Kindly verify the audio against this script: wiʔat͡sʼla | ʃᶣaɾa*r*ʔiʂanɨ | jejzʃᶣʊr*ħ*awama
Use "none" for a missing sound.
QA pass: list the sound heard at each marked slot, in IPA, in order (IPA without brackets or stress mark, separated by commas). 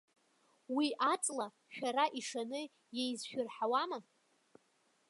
none, ħ